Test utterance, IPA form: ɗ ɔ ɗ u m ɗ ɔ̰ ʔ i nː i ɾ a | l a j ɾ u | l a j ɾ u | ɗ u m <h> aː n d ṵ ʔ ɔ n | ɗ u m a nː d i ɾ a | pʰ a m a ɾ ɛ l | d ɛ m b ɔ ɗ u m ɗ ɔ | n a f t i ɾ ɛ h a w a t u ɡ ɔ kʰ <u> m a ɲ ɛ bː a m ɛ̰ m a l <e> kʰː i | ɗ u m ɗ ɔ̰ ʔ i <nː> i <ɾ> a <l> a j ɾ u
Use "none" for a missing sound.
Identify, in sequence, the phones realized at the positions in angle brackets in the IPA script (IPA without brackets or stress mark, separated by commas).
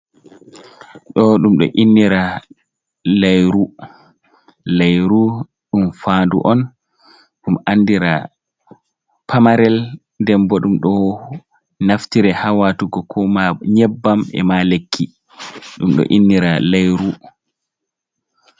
f, ɔ, e, nː, ɾ, l